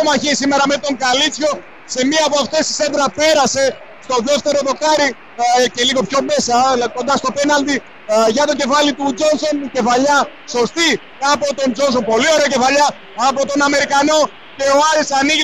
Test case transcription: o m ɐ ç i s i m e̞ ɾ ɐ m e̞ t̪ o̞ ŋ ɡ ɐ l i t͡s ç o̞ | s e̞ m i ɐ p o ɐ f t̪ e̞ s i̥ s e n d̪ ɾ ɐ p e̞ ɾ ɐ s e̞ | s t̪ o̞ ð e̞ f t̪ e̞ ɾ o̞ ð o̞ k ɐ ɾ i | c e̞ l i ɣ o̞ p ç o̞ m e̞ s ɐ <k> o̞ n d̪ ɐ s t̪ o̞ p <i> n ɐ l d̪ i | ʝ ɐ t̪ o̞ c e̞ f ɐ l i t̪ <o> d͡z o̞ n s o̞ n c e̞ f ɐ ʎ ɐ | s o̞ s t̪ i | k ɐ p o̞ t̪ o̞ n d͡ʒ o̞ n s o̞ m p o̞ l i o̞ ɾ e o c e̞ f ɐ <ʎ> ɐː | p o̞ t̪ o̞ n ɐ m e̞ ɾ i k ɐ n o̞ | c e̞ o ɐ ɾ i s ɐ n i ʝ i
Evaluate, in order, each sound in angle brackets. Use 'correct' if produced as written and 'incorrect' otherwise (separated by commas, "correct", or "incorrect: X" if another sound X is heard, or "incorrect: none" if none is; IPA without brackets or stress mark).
correct, incorrect: e, incorrect: u, correct